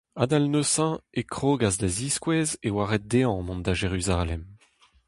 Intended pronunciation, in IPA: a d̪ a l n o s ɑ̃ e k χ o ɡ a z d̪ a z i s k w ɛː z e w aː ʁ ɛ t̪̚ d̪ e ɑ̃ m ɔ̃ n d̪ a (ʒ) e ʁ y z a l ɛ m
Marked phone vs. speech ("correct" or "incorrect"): correct